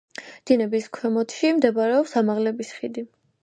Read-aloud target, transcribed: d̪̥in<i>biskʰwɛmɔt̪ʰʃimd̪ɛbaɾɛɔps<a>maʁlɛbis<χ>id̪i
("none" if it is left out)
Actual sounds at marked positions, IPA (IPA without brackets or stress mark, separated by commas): ɛ, a, χ